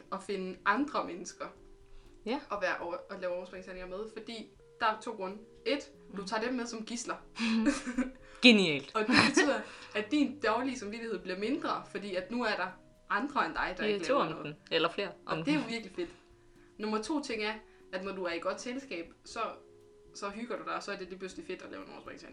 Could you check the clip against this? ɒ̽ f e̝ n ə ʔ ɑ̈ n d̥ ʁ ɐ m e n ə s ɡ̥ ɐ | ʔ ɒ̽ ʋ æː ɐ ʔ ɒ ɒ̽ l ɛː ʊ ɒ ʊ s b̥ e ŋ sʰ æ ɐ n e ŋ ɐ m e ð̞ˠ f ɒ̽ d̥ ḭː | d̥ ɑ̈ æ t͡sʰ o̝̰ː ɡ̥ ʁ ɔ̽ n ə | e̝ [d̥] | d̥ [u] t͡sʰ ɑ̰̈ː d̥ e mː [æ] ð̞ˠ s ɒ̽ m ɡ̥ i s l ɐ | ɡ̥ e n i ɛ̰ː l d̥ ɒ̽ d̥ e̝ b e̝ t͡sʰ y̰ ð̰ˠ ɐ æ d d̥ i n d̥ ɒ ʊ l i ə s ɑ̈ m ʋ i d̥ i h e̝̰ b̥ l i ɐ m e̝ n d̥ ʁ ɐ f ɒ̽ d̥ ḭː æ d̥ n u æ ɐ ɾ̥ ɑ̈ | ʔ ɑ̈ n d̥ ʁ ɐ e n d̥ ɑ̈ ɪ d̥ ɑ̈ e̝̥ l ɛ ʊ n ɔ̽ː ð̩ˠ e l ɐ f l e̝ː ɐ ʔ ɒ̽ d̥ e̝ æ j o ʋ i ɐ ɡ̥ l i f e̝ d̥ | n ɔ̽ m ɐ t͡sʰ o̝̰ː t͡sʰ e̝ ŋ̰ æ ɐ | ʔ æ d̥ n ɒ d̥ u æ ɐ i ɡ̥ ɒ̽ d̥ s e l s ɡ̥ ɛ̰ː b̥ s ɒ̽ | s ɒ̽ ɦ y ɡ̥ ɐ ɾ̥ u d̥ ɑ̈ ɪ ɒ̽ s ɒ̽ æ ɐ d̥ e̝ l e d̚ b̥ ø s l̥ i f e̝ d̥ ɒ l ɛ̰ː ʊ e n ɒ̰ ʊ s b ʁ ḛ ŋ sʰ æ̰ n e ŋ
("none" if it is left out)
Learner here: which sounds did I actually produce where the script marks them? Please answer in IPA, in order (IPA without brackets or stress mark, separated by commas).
d̥, u, e